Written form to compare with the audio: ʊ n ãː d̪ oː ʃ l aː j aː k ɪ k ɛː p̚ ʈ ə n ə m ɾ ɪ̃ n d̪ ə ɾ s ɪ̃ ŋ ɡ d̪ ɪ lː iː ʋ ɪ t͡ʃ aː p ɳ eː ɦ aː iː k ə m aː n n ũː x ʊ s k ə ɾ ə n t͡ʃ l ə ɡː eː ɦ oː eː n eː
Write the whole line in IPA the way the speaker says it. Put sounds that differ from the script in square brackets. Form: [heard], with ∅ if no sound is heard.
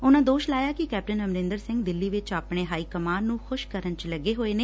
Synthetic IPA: ʊ n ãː d̪ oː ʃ l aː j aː k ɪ k ɛː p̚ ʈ ə n ə m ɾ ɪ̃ n d̪ ə ɾ s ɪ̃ ŋ ɡ d̪ ɪ lː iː ʋ ɪ t͡ʃ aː p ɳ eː ɦ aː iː k ə m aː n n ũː x ʊ [ʃ] k ə ɾ ə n t͡ʃ l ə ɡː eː ɦ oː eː n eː

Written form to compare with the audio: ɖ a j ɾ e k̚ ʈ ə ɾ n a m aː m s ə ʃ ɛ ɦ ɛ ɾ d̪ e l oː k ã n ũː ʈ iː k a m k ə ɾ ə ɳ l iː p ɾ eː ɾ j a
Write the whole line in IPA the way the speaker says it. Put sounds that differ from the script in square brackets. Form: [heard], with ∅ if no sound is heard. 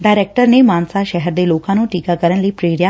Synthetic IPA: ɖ a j ɾ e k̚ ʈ ə ɾ n [e] m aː [n] s [a] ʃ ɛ ɦ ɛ ɾ d̪ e l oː k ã n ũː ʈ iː k a [∅] k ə ɾ ə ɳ l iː p ɾ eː ɾ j a

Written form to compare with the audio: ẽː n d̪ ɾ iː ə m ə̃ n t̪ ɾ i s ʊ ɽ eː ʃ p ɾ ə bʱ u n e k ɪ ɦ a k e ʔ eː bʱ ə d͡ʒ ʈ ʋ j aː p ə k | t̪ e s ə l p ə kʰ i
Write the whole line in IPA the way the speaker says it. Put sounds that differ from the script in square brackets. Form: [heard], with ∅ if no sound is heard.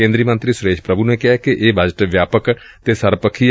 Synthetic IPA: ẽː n d̪ ɾ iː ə m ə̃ n t̪ ɾ i s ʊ [ɾ] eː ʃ p ɾ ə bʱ u n e k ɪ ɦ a k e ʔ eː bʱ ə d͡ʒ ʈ ʋ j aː p ə k | t̪ e s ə [ɾ] p ə kʰ i

